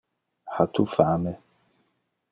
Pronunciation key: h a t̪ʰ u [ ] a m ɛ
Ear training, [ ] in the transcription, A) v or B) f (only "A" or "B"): B